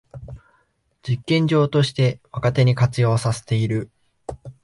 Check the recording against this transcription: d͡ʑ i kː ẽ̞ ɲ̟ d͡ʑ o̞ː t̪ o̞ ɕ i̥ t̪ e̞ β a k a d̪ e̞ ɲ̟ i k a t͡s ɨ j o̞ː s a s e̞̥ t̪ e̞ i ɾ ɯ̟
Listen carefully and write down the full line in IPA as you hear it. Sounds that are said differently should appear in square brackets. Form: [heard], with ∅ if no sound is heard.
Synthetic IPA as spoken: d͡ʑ i kː ẽ̞ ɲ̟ d͡ʑ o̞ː t̪ o̞ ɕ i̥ t̪ e̞ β a k a [t̪] e̞ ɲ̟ i k a t͡s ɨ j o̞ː s a s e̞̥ t̪ e̞ i ɾ ɯ̟